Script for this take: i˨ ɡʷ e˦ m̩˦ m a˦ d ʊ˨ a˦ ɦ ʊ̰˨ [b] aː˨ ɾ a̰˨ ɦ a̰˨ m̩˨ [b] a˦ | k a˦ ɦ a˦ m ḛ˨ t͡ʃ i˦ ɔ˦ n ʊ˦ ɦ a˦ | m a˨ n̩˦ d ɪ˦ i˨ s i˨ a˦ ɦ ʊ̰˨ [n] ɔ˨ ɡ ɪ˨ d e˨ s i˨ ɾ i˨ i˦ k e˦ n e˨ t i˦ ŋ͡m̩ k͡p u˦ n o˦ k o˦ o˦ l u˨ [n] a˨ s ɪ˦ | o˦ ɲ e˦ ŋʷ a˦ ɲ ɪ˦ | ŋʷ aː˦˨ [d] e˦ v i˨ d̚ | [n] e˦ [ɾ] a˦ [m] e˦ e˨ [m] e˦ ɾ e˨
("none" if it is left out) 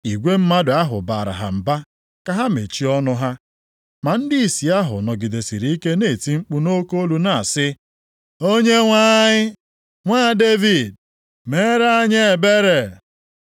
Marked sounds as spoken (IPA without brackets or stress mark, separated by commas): b, b, n, n, d, m, ɾ, ɲ, b